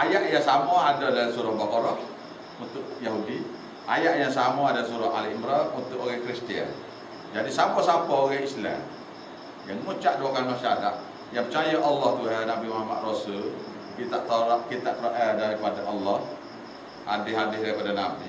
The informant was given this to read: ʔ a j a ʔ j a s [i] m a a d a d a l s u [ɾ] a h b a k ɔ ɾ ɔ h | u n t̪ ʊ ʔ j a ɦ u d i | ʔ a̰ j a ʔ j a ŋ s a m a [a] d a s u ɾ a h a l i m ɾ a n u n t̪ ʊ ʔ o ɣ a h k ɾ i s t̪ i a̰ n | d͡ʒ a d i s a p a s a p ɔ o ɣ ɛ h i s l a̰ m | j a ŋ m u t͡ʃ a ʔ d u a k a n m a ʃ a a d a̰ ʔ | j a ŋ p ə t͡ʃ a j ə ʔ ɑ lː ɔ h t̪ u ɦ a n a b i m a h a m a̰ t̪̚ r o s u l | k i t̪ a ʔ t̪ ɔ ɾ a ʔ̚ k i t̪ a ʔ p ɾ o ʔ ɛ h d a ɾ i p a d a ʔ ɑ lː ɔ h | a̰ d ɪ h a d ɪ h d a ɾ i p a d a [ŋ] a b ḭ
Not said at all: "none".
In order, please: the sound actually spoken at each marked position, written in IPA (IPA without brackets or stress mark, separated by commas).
a, ɾ, a, n